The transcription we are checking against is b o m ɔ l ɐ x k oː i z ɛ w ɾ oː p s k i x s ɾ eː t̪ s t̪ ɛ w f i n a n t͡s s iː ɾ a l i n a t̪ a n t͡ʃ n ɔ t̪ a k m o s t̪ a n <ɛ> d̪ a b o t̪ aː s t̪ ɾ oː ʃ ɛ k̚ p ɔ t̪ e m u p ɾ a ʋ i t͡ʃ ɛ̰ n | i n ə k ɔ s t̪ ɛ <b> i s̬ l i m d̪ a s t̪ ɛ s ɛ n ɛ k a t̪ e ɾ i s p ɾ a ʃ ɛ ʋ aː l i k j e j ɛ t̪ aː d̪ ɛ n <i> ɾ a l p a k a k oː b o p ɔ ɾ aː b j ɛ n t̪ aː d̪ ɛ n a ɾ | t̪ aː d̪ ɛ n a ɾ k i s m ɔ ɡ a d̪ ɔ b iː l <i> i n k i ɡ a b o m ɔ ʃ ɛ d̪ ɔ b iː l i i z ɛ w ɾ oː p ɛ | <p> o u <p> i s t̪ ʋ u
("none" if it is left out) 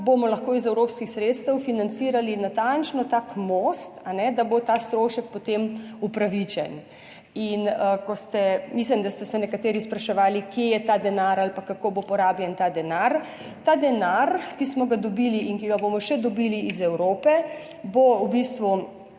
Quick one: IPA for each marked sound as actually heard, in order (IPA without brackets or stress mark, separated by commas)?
ɛ, m, a, i, b, b